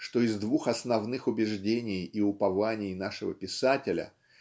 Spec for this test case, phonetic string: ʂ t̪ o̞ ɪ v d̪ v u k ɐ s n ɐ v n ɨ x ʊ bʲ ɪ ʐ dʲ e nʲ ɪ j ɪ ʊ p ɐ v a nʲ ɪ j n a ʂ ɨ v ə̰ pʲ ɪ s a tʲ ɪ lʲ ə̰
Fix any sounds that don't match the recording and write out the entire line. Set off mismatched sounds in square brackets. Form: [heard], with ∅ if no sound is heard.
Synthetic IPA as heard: ʂ t̪ o̞ ɪ [z] d̪ v u [x] ɐ s n ɐ v n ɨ x ʊ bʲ ɪ ʐ dʲ e nʲ ɪ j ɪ ʊ p ɐ v a nʲ ɪ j n a ʂ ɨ v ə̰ pʲ ɪ s a tʲ ɪ lʲ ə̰